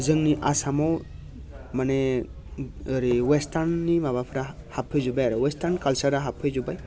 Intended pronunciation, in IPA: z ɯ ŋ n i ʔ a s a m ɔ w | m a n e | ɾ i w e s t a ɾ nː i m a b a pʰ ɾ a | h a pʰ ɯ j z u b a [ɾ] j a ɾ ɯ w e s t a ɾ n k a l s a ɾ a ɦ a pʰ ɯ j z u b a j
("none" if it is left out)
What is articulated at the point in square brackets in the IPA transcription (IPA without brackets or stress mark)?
none